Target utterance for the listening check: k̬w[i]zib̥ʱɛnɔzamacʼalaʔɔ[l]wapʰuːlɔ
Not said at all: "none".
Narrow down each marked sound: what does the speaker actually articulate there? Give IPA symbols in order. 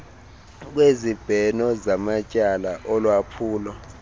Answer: e, l

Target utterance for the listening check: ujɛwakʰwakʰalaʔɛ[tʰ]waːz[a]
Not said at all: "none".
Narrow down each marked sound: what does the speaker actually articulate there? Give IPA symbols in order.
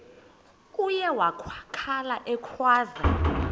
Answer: kʰ, a

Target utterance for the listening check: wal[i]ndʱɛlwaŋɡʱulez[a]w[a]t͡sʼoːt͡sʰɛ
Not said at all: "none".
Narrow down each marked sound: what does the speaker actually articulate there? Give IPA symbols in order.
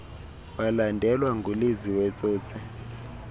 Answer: a, i, ɛ

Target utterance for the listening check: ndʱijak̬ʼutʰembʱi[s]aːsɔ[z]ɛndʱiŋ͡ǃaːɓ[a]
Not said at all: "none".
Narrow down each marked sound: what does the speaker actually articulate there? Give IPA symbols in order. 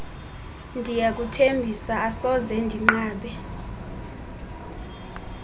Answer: s, z, ɛ

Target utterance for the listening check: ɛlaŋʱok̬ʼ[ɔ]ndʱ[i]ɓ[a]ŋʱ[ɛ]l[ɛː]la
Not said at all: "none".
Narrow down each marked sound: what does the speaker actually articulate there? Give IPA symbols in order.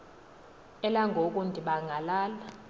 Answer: u, i, a, a, aː

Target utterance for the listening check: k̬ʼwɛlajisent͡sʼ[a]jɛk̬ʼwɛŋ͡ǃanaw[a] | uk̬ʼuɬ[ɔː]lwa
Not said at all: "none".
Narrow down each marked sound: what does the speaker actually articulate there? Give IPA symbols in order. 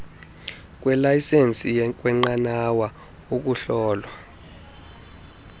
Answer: i, a, ɔː

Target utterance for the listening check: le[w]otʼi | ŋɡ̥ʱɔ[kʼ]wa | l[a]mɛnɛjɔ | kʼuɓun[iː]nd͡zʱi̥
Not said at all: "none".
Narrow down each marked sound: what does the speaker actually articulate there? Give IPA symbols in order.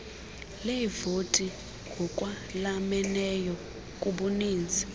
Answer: v, kʼ, a, iː

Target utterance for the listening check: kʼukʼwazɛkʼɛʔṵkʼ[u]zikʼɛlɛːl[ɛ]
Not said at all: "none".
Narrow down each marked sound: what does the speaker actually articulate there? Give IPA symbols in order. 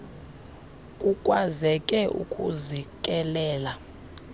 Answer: u, a

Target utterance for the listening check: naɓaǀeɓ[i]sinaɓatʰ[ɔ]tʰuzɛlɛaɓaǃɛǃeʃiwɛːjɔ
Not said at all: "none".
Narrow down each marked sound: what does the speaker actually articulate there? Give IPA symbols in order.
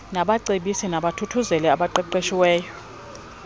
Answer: i, u

